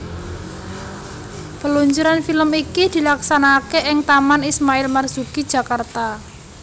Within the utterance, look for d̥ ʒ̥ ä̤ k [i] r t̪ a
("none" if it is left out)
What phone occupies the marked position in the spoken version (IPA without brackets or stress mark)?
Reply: a